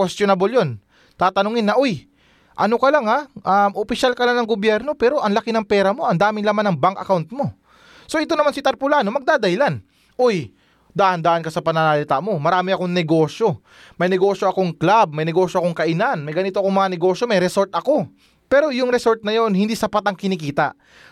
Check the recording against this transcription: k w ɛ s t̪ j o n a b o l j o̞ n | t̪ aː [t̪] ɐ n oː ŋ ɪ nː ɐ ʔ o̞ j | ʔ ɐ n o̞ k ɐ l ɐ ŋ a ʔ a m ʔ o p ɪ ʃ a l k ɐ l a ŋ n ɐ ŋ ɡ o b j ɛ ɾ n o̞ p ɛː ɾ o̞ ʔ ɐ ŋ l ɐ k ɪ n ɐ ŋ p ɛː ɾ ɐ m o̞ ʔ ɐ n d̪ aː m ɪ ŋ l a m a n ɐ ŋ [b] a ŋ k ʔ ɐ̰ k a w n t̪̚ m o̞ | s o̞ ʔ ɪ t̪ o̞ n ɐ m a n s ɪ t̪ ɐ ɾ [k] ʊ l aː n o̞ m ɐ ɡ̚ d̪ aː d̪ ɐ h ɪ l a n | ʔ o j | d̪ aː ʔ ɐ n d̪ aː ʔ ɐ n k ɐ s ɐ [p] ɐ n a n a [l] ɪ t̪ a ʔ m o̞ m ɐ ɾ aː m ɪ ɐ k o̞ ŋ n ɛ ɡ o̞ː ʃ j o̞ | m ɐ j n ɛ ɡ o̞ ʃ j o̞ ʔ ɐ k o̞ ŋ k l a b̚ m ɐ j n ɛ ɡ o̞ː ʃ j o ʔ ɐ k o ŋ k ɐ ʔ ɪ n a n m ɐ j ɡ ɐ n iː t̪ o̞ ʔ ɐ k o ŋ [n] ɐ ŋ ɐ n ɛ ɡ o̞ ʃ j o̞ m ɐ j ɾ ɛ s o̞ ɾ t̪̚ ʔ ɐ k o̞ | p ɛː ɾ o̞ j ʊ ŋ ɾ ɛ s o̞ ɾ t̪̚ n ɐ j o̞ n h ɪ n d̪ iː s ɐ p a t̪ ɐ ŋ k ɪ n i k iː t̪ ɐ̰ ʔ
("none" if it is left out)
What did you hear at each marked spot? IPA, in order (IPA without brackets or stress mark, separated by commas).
t̪, b, p, p, l, m